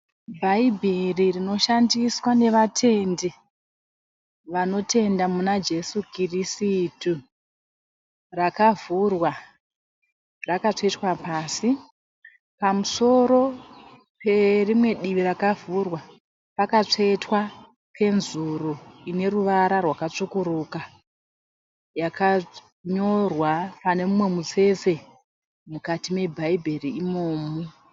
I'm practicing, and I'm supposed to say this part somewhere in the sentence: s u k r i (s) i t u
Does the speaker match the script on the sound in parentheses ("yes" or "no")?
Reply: yes